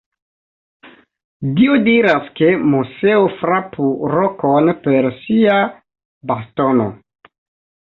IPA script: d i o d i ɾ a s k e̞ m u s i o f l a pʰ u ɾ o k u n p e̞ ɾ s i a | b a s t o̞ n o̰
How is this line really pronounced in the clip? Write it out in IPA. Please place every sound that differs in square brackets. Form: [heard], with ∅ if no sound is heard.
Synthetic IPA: d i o d i ɾ a s k e̞ m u s [e] o f [ɾ] a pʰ u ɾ o k [o] n p e̞ ɾ s i a | b a s t o̞ n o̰